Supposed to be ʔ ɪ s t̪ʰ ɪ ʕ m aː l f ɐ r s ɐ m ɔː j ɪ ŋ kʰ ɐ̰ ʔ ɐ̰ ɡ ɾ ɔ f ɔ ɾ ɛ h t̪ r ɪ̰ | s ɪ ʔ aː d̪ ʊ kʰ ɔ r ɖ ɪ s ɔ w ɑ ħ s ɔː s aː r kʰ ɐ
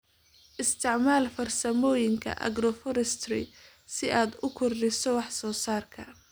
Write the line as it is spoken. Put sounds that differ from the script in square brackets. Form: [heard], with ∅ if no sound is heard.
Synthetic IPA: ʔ ɪ s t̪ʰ ɪ ʕ m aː l f ɐ r s ɐ m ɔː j ɪ ŋ kʰ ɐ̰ ʔ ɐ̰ ɡ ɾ ɔ f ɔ ɾ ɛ [s] t̪ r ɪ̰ | s ɪ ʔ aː d̪ ʊ kʰ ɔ r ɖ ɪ s ɔ w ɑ ħ s ɔː s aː r kʰ ɐ